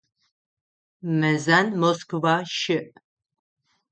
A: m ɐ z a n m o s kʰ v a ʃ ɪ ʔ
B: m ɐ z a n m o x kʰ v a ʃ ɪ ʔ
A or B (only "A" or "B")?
A